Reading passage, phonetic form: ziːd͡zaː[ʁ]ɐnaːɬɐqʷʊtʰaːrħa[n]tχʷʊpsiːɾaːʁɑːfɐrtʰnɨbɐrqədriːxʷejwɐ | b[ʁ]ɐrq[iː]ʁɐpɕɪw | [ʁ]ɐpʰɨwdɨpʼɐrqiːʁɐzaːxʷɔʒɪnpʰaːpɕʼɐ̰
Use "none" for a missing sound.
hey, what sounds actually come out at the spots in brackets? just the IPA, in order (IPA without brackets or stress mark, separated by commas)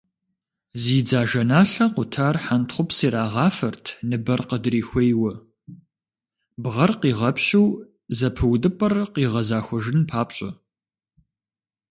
ʒ, n, ʁ, iː, z